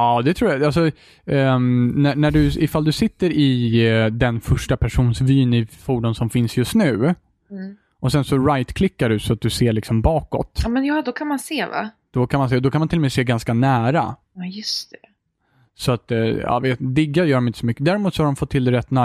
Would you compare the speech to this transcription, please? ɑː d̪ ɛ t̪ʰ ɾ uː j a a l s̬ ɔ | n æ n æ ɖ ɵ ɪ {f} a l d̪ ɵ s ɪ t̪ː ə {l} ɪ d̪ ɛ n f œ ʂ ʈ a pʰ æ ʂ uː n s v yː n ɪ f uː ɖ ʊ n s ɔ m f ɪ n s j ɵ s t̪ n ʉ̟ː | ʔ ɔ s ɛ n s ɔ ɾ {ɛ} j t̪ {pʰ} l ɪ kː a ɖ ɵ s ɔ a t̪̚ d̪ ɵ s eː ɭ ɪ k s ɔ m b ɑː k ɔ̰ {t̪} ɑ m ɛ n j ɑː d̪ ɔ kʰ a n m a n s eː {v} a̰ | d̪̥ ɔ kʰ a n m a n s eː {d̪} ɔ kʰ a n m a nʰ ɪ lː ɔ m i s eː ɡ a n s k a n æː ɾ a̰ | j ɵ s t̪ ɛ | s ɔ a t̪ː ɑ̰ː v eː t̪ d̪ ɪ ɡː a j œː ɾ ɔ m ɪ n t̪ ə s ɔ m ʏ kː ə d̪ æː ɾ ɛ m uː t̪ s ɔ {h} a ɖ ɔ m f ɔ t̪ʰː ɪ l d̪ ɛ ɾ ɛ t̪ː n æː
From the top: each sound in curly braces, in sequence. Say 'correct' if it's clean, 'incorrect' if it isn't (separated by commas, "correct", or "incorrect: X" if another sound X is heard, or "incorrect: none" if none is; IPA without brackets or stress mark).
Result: correct, incorrect: ɾ, incorrect: a, incorrect: kʰ, correct, correct, correct, correct